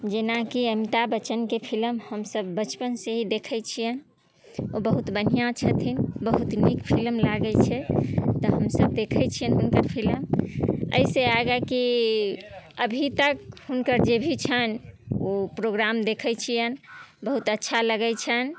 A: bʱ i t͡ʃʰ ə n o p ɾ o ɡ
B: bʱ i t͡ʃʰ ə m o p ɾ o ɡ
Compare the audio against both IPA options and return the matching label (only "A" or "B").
A